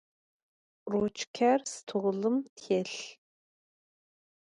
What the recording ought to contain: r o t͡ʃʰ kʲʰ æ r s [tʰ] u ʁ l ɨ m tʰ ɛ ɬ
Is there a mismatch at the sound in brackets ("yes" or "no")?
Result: no